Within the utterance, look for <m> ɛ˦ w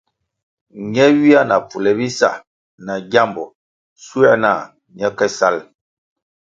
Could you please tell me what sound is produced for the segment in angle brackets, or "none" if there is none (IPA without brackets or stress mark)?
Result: ɲ